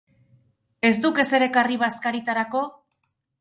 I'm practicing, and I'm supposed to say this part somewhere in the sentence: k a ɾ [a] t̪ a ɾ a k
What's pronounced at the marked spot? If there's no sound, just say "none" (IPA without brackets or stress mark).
i